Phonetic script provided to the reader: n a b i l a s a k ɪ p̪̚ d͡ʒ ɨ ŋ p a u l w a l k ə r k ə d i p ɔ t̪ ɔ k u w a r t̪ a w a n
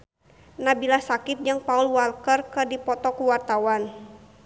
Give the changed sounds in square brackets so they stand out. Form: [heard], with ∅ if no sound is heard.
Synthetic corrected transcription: n a b i l a s a k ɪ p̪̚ d͡ʒ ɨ ŋ p a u l w a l k ə r k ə d i p ɔ t̪ ɔ k u w a r t̪ a w a n

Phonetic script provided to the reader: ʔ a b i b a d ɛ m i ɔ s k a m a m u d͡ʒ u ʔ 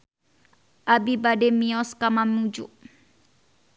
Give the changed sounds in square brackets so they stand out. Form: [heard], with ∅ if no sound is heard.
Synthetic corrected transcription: ʔ a b i b a d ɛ m i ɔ s k a m a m u d͡ʒ u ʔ

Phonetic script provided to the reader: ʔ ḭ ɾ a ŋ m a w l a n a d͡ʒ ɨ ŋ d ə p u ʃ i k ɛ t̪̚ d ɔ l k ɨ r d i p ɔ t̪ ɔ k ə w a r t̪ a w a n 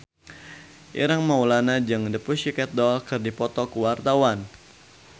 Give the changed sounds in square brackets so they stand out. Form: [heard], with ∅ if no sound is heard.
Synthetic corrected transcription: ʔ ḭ ɾ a ŋ m a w l a n a d͡ʒ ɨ ŋ d ə p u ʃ i k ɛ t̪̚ d ɔ l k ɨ r d i p ɔ t̪ ɔ k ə w a r t̪ a w a n

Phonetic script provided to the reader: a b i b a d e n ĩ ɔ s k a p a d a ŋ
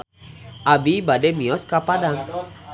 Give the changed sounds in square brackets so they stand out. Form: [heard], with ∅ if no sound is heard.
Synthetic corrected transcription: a b i b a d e [m] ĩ ɔ s k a p a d a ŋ

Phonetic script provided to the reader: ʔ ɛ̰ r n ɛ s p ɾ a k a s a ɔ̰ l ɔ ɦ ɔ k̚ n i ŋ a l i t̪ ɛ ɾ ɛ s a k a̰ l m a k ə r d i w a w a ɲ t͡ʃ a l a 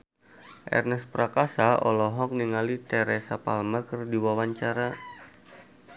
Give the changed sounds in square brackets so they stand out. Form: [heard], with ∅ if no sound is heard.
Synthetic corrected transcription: ʔ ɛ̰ r n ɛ s p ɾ a k a s a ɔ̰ l ɔ ɦ ɔ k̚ n i ŋ a l i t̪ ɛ ɾ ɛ s a [p] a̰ l m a k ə r d i w a w a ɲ t͡ʃ a [ɾ] a

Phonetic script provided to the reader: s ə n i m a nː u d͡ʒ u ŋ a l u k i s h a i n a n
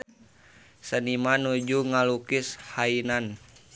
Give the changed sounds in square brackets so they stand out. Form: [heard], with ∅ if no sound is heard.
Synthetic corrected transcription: s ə n i m a [n] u d͡ʒ u ŋ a l u k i s h a i n a n

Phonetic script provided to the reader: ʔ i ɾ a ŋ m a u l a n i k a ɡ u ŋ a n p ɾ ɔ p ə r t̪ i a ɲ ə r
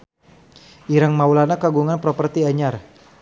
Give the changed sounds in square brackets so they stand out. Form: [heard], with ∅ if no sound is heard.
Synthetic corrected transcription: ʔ i ɾ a ŋ m a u l a n [a] k a ɡ u ŋ a n p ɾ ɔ p ə r t̪ i a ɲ [a] r

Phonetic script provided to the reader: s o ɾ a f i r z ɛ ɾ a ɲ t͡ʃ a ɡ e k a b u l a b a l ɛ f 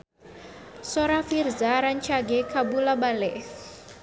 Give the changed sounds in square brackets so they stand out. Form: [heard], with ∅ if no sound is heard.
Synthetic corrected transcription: s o ɾ a f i r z [a] ɾ a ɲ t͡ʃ a ɡ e k a b u l a b a l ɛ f

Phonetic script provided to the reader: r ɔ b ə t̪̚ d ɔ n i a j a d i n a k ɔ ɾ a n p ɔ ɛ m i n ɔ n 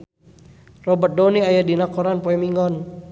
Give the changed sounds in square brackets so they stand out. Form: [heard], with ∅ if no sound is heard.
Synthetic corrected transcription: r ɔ b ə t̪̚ d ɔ n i a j a d i n a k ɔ ɾ a n p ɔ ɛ m i [ŋ] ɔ n

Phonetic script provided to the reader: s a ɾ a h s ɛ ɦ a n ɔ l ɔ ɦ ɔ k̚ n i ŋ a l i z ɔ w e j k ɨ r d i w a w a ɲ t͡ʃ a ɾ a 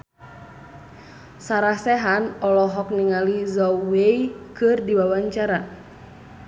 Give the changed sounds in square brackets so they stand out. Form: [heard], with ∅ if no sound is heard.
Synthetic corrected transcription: s a ɾ a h s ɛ ɦ a n ɔ l ɔ ɦ ɔ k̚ n i ŋ a l i z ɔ w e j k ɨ r d i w a w a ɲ t͡ʃ a ɾ a

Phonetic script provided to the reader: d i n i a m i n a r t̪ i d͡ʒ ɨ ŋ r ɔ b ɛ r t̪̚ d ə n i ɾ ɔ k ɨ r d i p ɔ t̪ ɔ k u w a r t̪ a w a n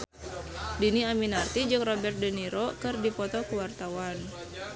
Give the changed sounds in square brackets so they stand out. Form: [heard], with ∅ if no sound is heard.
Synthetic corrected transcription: d i n i a m i n a r t̪ i d͡ʒ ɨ ŋ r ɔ b ɛ r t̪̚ d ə n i ɾ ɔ k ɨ r d i p ɔ t̪ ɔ k u w a r t̪ a w a n

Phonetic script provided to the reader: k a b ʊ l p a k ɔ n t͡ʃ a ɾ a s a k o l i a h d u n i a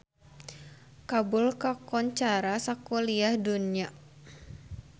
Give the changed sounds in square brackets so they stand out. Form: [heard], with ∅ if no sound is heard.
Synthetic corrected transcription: k a b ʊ l [k] a k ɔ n t͡ʃ a ɾ a s a k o l i a h d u n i a

